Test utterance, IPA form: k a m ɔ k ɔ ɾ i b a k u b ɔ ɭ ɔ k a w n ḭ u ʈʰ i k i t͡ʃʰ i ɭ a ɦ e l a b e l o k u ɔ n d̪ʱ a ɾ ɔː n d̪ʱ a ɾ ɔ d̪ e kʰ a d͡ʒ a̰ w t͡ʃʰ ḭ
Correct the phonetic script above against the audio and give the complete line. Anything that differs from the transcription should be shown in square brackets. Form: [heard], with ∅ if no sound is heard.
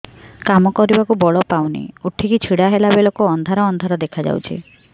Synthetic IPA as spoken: k a m ɔ k ɔ ɾ i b a k u b ɔ ɭ ɔ [p] a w n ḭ u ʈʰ i k i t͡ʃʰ i [ɽ] a ɦ e l a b e l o k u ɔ n d̪ʱ a ɾ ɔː n d̪ʱ a ɾ ɔ d̪ e kʰ a d͡ʒ a̰ w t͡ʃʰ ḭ